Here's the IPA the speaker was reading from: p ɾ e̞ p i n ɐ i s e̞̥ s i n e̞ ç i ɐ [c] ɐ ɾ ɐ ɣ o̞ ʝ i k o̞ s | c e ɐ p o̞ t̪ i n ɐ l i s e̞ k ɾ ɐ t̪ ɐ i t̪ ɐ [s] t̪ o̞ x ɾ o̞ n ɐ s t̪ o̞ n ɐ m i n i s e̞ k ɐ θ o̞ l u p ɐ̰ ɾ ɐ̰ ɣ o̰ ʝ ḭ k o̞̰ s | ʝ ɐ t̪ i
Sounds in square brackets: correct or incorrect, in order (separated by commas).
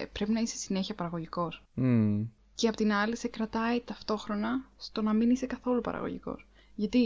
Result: incorrect, incorrect